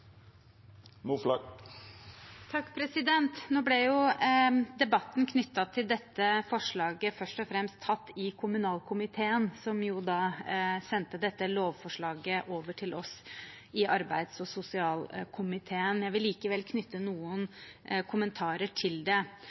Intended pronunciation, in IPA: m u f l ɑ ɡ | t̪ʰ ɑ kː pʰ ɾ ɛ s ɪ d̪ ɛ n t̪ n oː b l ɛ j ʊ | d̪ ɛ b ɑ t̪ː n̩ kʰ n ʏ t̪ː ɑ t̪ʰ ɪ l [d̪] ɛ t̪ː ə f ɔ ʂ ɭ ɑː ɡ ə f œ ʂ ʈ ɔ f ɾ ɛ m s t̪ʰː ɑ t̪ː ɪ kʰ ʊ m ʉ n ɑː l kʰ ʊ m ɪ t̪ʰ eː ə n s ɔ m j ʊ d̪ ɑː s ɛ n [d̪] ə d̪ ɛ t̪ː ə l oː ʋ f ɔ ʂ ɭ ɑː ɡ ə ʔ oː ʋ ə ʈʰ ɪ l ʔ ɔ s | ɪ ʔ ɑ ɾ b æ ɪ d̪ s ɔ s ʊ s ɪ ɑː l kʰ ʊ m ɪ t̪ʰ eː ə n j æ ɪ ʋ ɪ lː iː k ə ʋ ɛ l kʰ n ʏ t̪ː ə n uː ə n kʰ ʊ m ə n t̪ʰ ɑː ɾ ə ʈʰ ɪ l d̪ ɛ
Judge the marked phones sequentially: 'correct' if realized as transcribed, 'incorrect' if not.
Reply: correct, incorrect: t̪

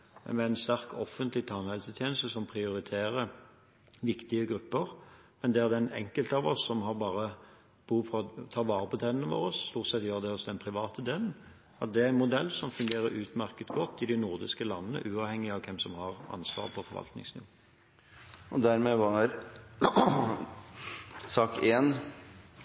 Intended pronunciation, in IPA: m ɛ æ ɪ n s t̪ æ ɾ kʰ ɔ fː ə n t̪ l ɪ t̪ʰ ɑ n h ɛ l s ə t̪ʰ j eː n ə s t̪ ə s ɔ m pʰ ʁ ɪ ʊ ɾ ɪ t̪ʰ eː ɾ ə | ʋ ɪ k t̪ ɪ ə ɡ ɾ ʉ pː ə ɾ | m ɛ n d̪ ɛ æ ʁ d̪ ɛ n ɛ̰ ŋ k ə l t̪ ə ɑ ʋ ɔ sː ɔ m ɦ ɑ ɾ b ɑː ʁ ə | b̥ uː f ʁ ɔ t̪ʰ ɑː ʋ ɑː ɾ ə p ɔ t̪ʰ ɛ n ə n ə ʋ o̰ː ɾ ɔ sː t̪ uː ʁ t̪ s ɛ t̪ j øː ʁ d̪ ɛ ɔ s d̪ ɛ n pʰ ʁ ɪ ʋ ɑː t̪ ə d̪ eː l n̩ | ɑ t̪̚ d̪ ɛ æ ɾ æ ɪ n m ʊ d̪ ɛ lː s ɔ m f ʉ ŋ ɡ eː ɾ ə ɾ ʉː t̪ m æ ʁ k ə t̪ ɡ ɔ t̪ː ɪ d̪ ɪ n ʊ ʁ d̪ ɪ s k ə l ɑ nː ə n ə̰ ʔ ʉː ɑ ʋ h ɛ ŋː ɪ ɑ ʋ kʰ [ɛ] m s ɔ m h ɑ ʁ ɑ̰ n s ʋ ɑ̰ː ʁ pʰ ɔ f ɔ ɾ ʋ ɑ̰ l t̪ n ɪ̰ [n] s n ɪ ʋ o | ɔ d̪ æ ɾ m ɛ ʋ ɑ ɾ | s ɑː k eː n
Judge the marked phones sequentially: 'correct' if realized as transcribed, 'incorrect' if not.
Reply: correct, incorrect: ŋ

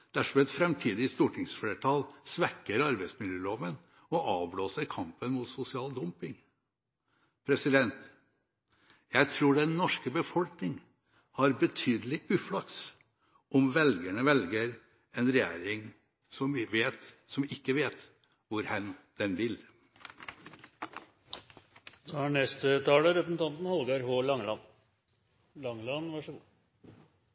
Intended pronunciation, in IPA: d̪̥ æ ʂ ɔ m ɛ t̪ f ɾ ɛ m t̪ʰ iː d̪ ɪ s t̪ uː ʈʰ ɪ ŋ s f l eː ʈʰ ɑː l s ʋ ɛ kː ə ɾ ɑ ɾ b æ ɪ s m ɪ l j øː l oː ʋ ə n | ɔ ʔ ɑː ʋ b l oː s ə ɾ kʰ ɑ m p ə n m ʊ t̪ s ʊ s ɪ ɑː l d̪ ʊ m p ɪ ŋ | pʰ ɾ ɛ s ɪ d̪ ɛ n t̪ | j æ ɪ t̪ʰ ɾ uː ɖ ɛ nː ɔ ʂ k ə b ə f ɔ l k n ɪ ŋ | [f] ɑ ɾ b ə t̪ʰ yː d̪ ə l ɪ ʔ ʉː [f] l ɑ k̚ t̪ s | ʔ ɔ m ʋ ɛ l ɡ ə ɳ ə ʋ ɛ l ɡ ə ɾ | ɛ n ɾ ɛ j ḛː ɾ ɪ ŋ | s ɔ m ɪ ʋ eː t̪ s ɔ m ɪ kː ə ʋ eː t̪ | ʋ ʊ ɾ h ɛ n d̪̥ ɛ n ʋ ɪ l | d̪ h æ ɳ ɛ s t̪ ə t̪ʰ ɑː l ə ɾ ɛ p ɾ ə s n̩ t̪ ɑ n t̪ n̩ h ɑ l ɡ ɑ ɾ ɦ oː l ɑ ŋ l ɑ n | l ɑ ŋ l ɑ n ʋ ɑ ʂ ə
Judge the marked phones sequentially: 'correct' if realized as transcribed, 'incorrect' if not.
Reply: incorrect: h, correct

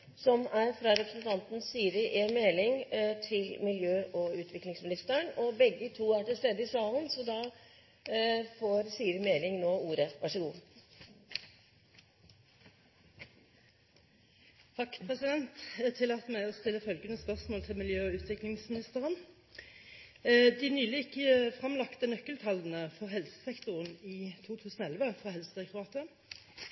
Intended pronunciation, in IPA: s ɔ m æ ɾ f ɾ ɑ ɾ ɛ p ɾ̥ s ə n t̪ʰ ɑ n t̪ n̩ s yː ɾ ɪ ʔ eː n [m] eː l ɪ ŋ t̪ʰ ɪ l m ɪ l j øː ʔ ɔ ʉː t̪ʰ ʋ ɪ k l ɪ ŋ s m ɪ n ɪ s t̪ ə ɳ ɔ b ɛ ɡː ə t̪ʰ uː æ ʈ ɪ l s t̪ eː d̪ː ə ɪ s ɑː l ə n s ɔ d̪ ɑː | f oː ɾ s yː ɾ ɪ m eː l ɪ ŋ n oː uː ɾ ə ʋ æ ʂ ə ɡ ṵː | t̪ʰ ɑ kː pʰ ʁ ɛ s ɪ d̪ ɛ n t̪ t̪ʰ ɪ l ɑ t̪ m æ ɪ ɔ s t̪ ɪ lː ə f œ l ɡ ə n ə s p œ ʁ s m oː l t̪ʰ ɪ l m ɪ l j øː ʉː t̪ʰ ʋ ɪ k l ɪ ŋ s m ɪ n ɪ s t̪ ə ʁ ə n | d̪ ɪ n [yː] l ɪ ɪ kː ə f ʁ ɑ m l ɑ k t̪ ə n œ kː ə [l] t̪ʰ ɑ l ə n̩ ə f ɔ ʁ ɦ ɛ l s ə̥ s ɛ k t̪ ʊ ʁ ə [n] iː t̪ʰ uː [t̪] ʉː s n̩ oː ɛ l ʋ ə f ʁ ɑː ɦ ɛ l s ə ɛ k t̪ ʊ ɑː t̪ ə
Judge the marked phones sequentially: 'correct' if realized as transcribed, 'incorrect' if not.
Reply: correct, correct, correct, correct, incorrect: t̪ʰ

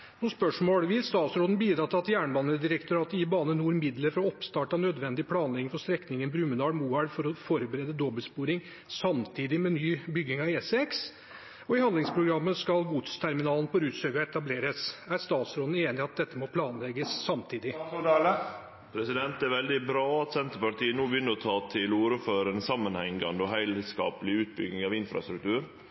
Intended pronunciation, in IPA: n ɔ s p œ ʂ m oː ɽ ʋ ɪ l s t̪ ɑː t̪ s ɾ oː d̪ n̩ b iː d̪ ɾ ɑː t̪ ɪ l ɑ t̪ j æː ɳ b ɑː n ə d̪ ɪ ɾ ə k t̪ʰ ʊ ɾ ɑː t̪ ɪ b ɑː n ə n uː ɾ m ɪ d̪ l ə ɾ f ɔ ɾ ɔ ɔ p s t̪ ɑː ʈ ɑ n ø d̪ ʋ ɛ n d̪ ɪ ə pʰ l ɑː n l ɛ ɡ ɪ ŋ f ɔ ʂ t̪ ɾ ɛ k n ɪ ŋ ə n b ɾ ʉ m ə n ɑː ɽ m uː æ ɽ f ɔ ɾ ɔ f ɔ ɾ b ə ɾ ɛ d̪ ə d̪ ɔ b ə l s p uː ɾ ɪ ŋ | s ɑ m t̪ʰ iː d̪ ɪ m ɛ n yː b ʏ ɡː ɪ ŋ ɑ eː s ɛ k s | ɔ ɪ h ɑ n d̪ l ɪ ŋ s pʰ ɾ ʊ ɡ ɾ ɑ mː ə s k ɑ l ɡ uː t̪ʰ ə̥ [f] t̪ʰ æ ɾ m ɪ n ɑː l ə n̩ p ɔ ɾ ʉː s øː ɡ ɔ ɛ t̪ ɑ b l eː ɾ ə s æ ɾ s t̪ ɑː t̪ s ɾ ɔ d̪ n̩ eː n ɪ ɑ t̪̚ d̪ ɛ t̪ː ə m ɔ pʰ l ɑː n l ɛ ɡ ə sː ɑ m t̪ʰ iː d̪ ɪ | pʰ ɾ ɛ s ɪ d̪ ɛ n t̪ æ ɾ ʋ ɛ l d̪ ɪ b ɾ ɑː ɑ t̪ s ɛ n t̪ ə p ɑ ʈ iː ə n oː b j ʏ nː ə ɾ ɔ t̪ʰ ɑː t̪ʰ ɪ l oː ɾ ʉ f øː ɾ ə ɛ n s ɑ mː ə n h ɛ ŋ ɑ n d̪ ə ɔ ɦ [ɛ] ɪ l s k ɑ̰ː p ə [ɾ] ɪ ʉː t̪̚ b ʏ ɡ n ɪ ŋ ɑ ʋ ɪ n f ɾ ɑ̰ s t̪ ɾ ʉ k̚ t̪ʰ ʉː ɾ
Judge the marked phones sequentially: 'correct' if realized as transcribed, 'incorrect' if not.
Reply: incorrect: s, incorrect: æ, incorrect: l

